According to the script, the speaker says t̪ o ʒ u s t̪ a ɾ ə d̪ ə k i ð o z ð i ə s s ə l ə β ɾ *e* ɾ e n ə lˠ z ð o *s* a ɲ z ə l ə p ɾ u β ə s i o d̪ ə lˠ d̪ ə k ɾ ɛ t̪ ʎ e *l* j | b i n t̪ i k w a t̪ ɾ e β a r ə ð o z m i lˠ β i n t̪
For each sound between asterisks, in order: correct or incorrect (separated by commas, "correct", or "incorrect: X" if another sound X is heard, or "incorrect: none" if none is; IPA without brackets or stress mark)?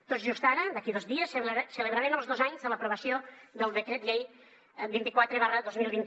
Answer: incorrect: a, incorrect: z, incorrect: none